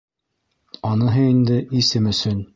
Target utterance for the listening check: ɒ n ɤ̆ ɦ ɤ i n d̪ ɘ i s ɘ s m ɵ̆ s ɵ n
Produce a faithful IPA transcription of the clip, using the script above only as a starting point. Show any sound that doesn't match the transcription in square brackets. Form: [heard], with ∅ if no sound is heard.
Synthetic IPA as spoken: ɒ n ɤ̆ ɦ ɤ i n d̪ ɘ i s ɘ [∅] m ɵ̆ s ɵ n